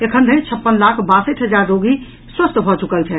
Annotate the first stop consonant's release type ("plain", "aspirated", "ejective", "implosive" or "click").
aspirated